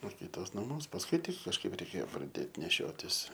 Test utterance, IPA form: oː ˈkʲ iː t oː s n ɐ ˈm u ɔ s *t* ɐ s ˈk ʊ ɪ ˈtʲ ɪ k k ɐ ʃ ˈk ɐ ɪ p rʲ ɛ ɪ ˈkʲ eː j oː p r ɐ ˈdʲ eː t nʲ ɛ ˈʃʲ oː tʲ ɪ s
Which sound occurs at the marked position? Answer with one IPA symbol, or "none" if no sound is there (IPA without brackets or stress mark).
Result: p